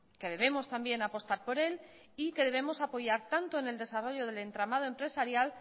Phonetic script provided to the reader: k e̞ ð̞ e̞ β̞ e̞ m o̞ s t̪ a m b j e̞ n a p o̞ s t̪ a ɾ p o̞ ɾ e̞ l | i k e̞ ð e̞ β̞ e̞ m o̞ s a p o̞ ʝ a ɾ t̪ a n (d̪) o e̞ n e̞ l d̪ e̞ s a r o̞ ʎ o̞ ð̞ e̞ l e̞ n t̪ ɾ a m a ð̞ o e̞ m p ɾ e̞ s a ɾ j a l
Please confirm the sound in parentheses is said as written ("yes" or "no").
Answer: no